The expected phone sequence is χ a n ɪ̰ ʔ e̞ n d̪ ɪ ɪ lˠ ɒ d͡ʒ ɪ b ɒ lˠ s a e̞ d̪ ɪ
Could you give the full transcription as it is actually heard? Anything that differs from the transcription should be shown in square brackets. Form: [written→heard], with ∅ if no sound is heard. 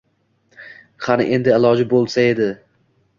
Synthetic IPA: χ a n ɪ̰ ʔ e̞ n d̪ ɪ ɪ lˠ ɒ d͡ʒ ɪ b [ɒ→o] lˠ s a e̞ d̪ ɪ